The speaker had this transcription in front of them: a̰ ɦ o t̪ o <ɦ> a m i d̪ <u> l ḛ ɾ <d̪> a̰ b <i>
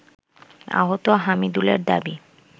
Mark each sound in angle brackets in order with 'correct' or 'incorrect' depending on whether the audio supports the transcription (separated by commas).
correct, correct, correct, correct